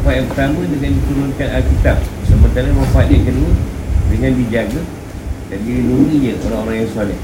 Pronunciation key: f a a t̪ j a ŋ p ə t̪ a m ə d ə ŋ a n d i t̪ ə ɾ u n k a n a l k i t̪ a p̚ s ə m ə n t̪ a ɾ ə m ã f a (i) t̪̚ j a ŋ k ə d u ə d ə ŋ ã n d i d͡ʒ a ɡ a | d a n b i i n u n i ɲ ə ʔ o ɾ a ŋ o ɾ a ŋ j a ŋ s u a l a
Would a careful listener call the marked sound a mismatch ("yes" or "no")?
yes